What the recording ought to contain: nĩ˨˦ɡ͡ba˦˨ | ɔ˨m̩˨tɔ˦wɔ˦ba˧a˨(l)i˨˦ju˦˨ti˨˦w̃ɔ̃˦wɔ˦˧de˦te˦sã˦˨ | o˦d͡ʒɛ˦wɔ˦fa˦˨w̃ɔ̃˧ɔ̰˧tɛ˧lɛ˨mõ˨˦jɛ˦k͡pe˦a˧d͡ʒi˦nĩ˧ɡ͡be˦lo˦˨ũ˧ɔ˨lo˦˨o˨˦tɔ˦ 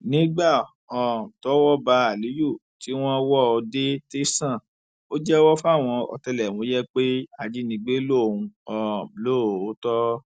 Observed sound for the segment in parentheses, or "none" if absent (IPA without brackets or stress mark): l